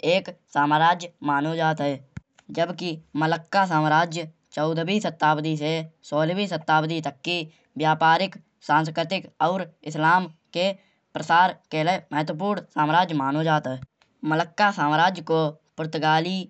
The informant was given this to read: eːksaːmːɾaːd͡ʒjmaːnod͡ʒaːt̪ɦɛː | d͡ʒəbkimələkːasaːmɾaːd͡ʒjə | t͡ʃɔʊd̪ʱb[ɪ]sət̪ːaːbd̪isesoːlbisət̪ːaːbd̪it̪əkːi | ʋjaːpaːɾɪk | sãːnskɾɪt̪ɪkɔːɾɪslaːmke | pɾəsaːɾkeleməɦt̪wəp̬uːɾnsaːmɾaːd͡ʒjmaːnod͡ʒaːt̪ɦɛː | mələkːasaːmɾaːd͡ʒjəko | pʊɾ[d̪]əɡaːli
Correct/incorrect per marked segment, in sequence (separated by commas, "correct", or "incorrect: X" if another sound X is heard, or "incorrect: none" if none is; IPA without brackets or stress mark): incorrect: i, incorrect: t̪